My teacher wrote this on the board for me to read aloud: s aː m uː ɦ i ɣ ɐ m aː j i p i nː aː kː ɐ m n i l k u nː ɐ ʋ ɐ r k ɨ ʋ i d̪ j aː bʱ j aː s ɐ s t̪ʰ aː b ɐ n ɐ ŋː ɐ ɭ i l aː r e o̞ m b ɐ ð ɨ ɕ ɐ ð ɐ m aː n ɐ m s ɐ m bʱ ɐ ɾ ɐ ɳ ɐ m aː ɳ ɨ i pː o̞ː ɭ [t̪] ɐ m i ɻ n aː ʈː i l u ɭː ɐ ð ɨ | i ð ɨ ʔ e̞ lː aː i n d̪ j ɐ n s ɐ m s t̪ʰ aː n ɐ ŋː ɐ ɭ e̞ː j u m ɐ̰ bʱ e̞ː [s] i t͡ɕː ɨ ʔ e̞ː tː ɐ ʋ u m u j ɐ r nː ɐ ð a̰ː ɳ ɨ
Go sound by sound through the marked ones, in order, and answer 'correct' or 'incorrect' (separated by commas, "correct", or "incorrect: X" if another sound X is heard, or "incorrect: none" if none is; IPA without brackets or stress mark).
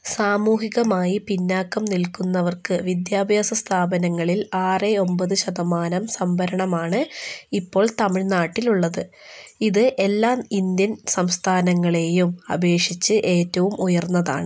correct, incorrect: ʂ